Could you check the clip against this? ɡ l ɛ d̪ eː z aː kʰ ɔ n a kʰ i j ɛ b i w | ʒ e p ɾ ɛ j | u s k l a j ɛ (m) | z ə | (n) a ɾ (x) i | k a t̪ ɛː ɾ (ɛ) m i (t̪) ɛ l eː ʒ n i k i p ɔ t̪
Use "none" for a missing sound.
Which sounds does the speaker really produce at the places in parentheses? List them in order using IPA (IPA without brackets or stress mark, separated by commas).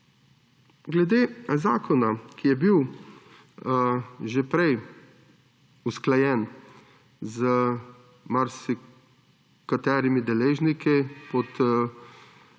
n, m, s, i, d̪